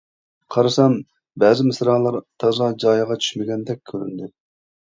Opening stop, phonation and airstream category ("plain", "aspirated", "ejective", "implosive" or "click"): aspirated